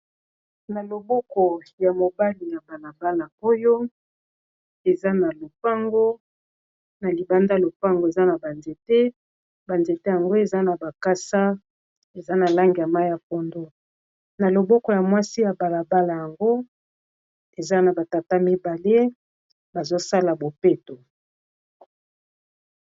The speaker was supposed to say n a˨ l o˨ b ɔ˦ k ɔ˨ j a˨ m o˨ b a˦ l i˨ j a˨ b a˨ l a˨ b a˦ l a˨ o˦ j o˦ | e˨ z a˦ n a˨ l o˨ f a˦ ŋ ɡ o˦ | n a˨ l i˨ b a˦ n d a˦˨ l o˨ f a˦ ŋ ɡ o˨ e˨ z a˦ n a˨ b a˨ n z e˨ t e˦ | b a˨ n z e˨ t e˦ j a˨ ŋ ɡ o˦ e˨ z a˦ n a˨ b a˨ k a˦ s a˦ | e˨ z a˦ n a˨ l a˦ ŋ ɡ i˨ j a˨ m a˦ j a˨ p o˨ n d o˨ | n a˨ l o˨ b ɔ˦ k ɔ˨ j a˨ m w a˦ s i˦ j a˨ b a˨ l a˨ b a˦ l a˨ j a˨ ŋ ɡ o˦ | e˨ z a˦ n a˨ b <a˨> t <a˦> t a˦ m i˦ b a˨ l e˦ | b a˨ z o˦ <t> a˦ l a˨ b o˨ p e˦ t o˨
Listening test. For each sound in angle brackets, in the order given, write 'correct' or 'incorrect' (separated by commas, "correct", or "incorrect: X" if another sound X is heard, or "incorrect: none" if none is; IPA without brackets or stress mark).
correct, incorrect: a˨, incorrect: s